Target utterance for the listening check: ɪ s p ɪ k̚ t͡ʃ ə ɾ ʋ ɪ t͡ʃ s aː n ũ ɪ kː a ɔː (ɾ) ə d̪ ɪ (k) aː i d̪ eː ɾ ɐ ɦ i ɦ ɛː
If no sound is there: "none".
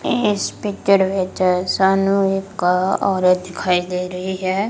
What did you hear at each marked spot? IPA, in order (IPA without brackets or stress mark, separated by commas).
ɾ, kʰ